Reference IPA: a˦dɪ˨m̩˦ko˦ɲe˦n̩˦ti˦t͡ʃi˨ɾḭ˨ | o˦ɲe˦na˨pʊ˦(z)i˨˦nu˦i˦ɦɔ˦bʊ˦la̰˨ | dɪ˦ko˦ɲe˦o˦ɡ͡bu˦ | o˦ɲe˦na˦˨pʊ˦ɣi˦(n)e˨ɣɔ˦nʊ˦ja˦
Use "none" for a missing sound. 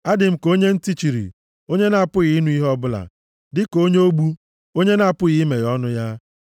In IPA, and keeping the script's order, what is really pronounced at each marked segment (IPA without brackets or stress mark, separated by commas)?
ɣ, m